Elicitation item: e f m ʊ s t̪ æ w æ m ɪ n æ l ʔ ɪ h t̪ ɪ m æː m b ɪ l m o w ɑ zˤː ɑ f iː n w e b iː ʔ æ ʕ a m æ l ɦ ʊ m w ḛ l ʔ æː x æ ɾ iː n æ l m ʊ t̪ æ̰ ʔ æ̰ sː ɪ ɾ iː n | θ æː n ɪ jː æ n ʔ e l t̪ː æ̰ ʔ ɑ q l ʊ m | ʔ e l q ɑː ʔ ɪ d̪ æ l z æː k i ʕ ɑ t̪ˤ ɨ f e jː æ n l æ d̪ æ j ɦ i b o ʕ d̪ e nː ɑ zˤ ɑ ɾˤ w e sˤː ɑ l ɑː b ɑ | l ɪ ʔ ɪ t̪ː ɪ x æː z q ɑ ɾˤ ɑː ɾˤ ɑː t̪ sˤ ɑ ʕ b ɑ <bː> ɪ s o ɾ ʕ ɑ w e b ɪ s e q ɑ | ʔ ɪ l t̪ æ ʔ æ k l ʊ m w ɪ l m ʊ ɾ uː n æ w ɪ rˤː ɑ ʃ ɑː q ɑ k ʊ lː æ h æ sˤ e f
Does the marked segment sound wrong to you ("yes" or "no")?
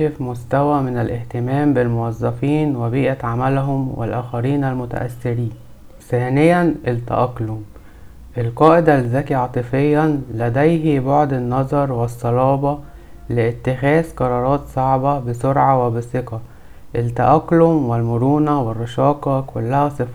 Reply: yes